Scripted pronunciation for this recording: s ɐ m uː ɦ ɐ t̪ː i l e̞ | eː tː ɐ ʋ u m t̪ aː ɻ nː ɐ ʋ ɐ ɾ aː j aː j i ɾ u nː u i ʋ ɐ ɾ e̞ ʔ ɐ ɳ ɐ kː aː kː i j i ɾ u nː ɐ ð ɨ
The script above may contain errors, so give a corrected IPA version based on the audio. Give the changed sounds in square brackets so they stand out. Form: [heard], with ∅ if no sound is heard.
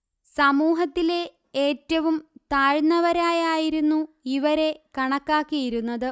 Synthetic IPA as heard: s ɐ m uː ɦ ɐ t̪ː i l e̞ | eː tː ɐ ʋ u m t̪ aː ɻ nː ɐ ʋ ɐ ɾ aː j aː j i ɾ u nː u i ʋ ɐ ɾ e̞ [k] ɐ ɳ ɐ kː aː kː i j i ɾ u nː ɐ ð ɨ